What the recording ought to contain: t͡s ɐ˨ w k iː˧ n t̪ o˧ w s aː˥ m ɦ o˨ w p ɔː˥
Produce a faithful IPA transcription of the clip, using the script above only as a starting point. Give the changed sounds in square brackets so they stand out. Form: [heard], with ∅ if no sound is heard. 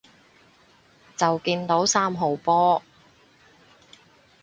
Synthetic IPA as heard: t͡s ɐ˨ w k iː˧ n t̪ [o˨˥] w s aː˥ m ɦ o˨ w p ɔː˥